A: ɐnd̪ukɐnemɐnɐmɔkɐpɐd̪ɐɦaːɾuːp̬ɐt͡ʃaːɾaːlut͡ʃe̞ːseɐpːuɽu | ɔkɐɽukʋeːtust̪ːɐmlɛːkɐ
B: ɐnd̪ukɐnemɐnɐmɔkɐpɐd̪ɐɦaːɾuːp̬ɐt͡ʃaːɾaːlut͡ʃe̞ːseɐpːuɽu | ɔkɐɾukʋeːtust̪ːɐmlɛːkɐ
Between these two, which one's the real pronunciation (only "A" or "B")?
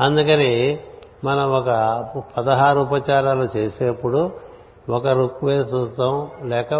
B